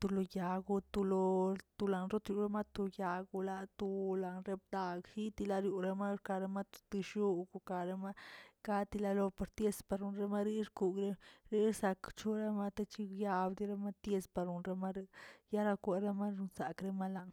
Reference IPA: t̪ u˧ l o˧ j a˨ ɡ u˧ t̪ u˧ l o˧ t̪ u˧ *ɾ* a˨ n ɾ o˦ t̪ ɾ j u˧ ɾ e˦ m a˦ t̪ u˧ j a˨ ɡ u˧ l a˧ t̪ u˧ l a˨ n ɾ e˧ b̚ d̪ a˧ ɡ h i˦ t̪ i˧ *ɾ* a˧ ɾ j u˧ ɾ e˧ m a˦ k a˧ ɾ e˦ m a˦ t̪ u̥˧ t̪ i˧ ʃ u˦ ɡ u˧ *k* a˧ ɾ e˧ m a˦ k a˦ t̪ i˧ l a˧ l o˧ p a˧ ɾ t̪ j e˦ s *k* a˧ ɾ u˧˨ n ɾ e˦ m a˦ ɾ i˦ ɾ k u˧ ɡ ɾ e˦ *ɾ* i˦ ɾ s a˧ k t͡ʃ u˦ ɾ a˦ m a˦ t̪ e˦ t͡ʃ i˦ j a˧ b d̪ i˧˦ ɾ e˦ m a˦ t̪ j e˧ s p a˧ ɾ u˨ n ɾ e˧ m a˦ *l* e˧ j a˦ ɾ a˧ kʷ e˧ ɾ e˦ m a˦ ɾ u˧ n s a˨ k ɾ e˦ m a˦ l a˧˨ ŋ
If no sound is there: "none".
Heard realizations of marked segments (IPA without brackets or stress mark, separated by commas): l, l, k, p, ɾ, ɾ